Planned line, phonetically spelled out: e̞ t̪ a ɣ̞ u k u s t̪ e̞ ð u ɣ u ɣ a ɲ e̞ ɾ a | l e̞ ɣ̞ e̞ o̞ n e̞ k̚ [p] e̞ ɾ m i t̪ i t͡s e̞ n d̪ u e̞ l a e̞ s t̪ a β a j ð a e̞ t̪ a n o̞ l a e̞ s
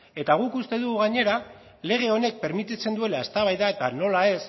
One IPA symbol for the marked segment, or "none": p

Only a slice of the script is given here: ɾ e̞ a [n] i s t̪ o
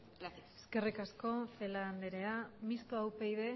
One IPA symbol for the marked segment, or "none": m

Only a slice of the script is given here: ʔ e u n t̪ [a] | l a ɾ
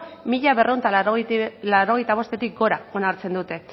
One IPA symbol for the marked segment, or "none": a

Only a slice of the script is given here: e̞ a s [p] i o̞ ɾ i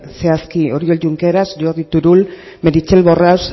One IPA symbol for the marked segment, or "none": k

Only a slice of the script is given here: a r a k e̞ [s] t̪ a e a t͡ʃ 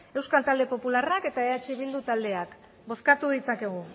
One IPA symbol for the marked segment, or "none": none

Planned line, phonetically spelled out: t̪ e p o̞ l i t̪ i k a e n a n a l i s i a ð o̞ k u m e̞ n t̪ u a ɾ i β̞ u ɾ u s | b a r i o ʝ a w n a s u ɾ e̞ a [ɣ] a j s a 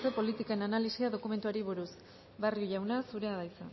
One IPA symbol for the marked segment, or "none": ð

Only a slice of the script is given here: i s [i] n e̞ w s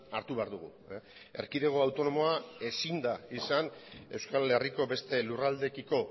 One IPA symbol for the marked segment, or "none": a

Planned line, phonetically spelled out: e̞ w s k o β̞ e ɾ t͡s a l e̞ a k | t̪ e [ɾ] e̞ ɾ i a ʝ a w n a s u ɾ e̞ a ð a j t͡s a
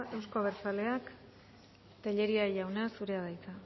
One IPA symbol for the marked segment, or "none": ʎ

